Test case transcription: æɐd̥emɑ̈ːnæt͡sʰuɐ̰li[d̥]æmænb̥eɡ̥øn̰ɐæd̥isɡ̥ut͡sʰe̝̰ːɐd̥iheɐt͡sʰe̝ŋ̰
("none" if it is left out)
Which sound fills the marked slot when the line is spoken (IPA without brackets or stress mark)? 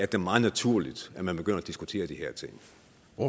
d̥